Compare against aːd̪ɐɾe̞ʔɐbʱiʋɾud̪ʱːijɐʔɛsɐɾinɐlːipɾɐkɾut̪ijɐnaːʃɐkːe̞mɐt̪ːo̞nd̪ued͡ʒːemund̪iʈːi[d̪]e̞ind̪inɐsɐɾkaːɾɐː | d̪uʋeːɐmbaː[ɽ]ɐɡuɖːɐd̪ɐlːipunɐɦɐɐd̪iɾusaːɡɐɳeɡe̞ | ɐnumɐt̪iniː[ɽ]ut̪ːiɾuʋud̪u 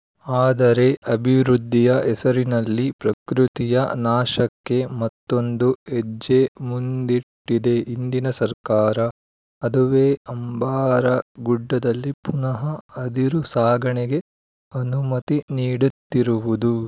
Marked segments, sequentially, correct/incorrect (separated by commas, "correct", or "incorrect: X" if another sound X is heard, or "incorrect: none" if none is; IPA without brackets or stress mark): correct, incorrect: ɾ, correct